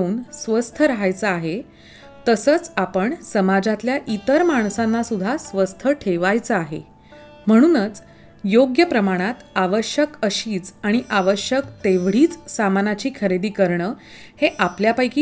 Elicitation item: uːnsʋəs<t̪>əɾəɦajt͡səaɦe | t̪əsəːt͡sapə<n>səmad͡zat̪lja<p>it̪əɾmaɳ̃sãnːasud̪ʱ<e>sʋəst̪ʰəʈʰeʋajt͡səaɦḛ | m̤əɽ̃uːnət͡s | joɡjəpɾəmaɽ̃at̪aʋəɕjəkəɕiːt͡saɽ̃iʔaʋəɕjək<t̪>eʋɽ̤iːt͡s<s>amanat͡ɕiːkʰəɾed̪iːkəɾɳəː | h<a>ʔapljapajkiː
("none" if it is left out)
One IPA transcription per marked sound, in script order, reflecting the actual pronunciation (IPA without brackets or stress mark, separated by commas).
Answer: t̪ʰ, ɳ, ʔ, a, t̪, s, e